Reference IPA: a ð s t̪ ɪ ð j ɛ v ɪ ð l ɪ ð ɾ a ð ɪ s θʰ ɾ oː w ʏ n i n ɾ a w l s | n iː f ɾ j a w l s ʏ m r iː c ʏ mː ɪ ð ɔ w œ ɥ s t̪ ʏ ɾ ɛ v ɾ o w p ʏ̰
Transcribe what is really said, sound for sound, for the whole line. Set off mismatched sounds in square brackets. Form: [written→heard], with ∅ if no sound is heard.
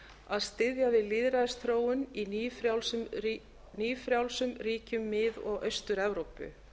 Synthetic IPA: a ð s t̪ ɪ ð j [ɛ→a] v ɪ ð l ɪ ð ɾ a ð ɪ s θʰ ɾ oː w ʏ n i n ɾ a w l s | n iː f ɾ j a w l s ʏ m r iː c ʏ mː ɪ ð ɔ [w→ɣ] œ ɥ s t̪ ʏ ɾ ɛ v ɾ o w p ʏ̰